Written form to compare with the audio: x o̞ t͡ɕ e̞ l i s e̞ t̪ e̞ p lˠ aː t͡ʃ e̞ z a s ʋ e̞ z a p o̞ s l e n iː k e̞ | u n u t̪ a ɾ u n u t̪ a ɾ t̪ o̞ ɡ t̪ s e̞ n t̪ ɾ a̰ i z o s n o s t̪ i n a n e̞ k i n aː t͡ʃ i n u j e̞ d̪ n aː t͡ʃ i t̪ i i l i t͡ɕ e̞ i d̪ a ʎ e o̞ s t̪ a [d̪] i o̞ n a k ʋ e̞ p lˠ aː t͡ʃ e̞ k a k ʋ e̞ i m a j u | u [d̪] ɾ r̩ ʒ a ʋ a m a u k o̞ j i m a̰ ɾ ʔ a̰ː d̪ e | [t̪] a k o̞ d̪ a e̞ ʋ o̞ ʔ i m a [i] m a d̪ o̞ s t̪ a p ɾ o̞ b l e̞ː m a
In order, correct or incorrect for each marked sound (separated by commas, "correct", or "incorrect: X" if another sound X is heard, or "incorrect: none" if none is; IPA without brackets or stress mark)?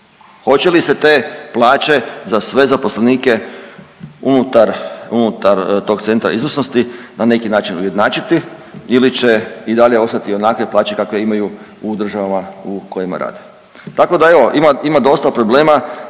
incorrect: t̪, correct, correct, correct